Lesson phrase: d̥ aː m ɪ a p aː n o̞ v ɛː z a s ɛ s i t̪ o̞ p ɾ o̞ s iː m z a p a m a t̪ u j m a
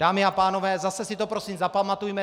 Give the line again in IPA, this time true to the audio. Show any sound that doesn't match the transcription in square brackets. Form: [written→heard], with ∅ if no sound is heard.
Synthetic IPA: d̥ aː m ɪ a p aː n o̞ v ɛː z a s ɛ s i t̪ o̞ p ɾ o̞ s iː m z a p a m a t̪ u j m [a→ɛ]